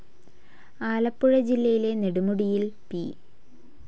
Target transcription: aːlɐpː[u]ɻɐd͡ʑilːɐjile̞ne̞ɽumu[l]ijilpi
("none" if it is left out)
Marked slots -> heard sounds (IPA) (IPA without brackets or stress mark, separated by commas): u, ɽ